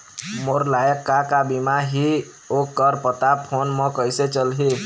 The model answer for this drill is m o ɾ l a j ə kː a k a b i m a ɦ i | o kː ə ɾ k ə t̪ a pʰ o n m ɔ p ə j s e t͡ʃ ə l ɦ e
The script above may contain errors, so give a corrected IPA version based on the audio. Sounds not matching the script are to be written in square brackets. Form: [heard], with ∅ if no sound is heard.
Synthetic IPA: m o ɾ l a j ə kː a k a b i m a ɦ i | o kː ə ɾ [p] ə t̪ a pʰ o n m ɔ [k] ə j s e t͡ʃ ə l ɦ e